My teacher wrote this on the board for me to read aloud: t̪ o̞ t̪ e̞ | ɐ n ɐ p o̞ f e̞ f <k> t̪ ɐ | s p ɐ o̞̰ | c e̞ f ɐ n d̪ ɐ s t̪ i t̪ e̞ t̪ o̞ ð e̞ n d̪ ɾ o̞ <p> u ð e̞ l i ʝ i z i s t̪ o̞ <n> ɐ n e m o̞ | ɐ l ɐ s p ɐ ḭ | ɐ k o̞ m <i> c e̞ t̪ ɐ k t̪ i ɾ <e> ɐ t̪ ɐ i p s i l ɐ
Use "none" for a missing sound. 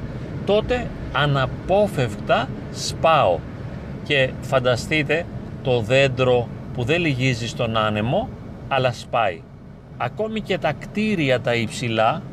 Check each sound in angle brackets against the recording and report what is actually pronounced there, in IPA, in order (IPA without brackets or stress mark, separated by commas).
k, p, n, i, i